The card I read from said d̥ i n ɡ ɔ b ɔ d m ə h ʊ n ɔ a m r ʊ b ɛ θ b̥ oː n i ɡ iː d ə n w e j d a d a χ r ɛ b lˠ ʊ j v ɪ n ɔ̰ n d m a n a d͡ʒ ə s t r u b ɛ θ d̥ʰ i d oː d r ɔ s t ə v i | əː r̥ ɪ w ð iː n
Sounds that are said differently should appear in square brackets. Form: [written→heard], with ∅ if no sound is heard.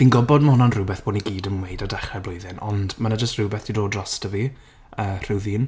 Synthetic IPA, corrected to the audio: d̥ i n ɡ ɔ b ɔ d m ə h ʊ n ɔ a [m→n] r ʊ b ɛ θ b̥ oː n i ɡ iː d ə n w e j d a d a χ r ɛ b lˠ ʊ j [v→ð] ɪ n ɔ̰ n d m a n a d͡ʒ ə s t r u b ɛ θ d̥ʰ i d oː d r ɔ s t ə v i | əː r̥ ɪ w ð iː n